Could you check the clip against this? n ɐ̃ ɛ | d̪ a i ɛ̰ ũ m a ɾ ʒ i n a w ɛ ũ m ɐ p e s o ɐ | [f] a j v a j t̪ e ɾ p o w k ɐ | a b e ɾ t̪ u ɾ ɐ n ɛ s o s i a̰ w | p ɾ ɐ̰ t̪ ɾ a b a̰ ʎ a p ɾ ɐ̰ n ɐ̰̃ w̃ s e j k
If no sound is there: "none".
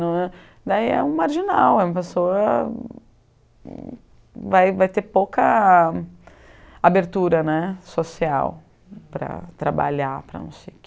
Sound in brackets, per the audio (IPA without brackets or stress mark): v